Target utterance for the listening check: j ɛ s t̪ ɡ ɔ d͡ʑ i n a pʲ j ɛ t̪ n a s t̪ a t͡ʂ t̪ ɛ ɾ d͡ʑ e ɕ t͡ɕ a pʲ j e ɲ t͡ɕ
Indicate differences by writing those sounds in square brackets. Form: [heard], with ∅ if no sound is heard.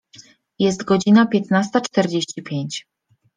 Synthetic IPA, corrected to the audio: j ɛ s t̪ ɡ ɔ d͡ʑ i n a pʲ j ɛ t̪ n a s t̪ a t͡ʂ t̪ ɛ ɾ d͡ʑ e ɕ t͡ɕ [i] pʲ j e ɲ t͡ɕ